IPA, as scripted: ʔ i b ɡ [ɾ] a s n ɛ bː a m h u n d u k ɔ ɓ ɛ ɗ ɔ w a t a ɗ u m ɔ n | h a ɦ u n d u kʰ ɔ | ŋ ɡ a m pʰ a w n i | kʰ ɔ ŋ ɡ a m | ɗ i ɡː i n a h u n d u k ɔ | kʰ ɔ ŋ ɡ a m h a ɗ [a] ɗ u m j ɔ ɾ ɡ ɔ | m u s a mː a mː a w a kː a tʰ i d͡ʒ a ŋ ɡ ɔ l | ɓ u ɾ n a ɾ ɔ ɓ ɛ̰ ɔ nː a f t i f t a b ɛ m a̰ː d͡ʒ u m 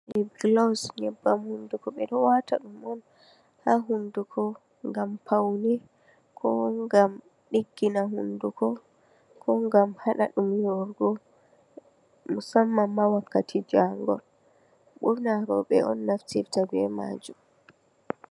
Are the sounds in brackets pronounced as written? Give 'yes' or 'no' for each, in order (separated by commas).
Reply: no, yes